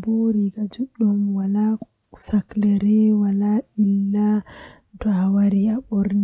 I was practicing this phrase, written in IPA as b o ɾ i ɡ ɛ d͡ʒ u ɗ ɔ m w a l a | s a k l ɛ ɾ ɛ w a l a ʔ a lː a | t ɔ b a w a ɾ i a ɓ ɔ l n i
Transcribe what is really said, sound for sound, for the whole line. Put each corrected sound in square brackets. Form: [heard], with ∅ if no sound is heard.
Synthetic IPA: b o ɾ i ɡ [a] d͡ʒ u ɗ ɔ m w a l a | s a k l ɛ ɾ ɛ w a l a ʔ [i] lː a | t ɔ [∅] a w a ɾ i a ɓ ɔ [ɾ] n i